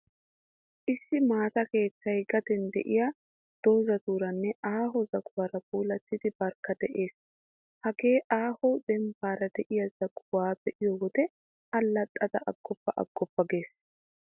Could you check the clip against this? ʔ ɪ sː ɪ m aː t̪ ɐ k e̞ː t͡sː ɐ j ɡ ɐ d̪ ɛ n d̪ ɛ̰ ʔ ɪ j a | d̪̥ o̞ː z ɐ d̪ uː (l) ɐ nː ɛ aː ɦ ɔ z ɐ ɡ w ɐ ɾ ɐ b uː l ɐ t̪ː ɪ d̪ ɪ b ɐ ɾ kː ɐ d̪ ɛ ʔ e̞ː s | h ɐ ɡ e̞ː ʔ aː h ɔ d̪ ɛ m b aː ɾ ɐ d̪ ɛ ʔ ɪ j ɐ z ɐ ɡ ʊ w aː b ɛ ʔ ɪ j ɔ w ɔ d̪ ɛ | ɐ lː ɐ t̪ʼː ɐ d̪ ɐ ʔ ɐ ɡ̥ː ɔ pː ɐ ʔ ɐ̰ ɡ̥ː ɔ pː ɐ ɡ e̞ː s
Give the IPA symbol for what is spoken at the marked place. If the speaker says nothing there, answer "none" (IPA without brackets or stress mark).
ɾ